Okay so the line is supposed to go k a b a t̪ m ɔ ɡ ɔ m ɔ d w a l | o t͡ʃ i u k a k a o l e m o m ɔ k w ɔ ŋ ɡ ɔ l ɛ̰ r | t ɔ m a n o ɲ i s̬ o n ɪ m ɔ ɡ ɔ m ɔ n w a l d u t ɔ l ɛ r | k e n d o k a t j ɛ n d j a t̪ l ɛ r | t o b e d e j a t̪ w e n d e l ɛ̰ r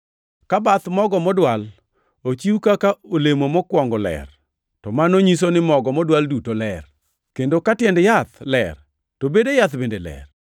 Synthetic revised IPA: k a b a t̪ m ɔ ɡ ɔ m ɔ d w a l | o t͡ʃ i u k a k a o l e m o m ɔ k w ɔ ŋ ɡ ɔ l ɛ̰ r | t ɔ m a n o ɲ i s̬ o n ɪ m ɔ ɡ ɔ m ɔ d w a l d u t o l ɛ r | k e n d o k a t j ɛ n d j a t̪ l ɛ r | t o b e d e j a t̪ b e n d e l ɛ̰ r